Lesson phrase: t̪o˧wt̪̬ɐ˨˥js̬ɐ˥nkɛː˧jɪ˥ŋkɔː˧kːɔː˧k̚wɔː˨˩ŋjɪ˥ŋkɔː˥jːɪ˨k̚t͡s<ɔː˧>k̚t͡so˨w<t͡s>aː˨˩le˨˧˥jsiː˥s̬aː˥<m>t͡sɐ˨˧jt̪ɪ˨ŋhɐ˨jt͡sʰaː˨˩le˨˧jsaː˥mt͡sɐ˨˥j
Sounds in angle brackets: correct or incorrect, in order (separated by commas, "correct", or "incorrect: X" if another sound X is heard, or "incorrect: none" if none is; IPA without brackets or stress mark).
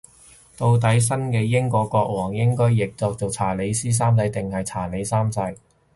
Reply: correct, incorrect: t͡sʰ, correct